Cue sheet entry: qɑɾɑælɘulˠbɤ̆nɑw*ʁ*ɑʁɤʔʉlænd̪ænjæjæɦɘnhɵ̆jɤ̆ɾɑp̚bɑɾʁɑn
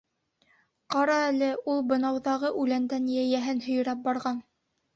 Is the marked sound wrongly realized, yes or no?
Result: yes